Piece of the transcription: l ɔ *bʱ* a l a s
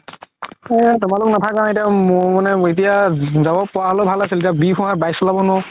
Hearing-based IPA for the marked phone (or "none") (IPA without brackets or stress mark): bʱ